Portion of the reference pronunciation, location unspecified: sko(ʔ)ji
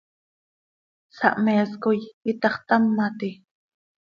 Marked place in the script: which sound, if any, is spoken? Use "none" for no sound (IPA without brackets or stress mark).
none